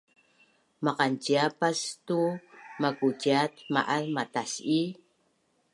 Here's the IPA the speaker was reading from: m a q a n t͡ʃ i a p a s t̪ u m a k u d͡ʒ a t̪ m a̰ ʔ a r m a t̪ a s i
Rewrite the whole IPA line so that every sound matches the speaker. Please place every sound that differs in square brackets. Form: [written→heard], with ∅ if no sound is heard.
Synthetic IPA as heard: m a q a n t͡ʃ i a p a s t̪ u m a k u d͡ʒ a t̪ m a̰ ʔ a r m a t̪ a s i

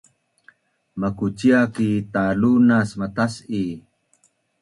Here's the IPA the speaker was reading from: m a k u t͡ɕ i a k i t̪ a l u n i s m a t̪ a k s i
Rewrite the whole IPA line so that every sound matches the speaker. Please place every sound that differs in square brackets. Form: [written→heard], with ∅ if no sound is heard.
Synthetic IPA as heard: m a k u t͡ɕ i a k i t̪ a l u n [i→a] s m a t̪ a [k→∅] s i

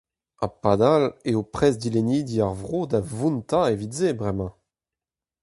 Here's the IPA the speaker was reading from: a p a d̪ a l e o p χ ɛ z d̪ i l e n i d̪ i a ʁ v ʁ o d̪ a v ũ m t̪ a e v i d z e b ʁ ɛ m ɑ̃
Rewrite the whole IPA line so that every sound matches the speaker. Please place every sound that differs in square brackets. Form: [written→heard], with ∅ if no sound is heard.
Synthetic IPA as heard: a p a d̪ a l e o p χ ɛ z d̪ i l e n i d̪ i a ʁ v ʁ o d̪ a v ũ [m→n] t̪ a e v i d z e b ʁ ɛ m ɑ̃

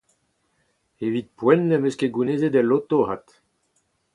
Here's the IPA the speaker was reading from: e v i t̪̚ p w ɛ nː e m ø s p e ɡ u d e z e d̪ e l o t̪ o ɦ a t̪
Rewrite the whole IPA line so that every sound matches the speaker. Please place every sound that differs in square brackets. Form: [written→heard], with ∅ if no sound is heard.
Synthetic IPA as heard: e v i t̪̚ p w ɛ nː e m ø s [p→k] e ɡ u [d→n] e z e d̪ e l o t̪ o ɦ a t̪

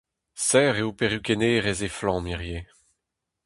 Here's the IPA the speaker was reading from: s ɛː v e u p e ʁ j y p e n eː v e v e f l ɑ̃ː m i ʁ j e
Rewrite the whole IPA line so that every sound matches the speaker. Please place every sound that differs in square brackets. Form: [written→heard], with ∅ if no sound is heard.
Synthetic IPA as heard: s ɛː [v→ʁ] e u p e ʁ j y [p→k] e n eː [v→ʁ] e [v→z] e f l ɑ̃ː m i ʁ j e

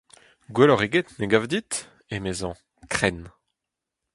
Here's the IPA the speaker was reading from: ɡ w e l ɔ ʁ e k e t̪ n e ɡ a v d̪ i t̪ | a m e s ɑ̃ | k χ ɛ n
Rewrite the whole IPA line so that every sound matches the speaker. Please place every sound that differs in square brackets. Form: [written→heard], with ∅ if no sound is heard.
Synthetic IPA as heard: ɡ w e l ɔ ʁ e [k→ɡ] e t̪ n e ɡ a v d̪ i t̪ | [a→e] m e [s→z] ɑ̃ | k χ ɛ n

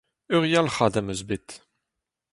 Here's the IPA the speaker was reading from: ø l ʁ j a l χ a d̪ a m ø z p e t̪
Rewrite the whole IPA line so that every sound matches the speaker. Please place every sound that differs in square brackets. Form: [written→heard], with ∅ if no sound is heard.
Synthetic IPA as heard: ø [l→∅] ʁ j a l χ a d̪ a m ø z [p→b] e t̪

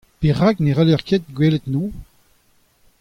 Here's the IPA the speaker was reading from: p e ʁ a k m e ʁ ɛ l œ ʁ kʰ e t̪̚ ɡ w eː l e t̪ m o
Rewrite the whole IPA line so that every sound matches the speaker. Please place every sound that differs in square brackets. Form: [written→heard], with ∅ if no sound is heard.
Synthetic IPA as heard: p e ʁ a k [m→n] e ʁ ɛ l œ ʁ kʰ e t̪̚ ɡ w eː l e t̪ [m→n] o

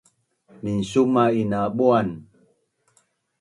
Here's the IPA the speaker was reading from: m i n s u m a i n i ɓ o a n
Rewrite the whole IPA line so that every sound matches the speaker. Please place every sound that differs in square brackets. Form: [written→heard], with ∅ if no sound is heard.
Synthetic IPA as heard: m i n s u m a i n [i→a] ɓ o a n

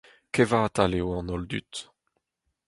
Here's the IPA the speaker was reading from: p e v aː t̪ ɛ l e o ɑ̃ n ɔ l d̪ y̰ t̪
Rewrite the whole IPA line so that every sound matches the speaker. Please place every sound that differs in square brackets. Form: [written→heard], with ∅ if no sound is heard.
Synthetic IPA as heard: [p→k] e v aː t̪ [ɛ→a] l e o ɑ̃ n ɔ l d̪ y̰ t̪

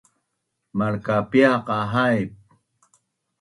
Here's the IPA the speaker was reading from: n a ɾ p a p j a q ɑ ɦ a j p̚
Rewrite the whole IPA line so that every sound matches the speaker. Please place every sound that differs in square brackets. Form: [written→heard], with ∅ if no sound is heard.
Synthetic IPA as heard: [n→m] a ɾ [p→k] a p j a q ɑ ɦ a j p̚

